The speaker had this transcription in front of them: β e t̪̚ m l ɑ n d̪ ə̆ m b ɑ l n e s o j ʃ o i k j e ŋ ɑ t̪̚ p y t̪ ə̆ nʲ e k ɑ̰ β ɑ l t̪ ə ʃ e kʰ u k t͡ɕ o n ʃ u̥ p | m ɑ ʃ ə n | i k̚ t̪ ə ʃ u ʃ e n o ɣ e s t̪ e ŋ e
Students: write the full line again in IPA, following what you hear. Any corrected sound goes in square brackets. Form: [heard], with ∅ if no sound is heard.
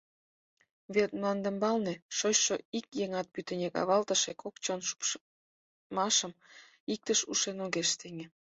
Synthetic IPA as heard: β e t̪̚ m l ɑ n d̪ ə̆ m b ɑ l n e [ʃ] o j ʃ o i k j e ŋ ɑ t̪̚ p y t̪ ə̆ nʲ e k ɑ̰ β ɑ l t̪ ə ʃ e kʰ [o] k t͡ɕ o n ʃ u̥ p | m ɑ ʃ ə [m] | i k̚ t̪ ə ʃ u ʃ e n o ɣ e [ʃ] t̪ e ŋ e